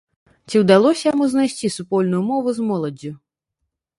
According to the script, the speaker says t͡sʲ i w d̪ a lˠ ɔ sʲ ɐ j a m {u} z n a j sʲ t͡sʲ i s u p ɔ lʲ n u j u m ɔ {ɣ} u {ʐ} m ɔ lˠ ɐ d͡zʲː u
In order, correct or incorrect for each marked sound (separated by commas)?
correct, incorrect, incorrect